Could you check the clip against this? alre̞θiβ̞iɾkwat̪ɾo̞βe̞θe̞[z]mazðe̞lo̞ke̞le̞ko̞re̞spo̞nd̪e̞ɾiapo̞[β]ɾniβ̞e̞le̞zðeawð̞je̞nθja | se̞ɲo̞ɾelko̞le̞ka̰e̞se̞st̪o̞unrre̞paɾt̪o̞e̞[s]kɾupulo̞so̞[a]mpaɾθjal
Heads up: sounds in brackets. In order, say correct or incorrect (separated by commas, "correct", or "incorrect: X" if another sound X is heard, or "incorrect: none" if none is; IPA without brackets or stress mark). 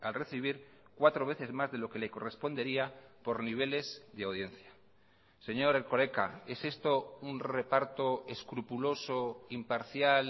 correct, incorrect: none, correct, incorrect: i